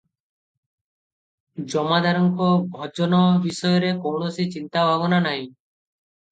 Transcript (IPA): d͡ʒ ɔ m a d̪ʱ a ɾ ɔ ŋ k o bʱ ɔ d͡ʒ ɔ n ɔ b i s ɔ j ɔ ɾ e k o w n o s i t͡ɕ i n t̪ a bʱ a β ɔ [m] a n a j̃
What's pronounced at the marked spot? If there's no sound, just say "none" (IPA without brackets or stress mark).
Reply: n